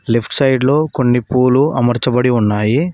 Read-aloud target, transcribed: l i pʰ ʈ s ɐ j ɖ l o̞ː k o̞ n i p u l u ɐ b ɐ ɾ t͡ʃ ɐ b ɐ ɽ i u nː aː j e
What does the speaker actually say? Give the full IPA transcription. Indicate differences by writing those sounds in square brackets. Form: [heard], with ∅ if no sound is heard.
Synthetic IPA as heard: l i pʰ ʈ s ɐ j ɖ l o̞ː k o̞ [nː] i p [uː] l u ɐ [m] ɐ ɾ t͡ʃ ɐ b ɐ ɽ i u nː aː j [i]